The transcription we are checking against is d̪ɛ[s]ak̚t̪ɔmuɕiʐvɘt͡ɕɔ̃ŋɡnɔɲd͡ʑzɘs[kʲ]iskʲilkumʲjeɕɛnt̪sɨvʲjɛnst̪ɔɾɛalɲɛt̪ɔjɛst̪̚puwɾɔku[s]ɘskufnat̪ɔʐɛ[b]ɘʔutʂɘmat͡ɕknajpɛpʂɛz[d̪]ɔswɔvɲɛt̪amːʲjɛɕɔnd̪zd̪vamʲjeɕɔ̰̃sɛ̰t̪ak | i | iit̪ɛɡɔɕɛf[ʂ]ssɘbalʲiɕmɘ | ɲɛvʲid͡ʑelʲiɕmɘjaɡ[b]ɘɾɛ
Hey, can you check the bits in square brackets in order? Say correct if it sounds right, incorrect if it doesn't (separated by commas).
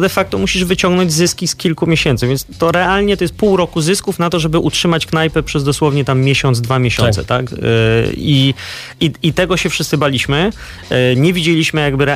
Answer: incorrect, correct, incorrect, correct, correct, correct, correct